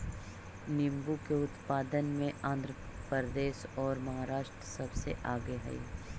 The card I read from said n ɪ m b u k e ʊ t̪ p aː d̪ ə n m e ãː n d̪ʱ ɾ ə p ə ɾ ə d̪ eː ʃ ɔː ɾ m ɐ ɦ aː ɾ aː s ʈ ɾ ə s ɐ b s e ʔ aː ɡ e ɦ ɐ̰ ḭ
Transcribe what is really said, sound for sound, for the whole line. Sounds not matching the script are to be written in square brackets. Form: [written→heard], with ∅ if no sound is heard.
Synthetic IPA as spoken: n ɪ m b u k e ʊ t̪ p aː d̪ ə n m [e→ẽ] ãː n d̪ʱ ɾ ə p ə ɾ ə d̪ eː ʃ ɔː ɾ m ɐ ɦ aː ɾ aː [s→ʃ] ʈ ɾ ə s ɐ b s e ʔ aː ɡ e ɦ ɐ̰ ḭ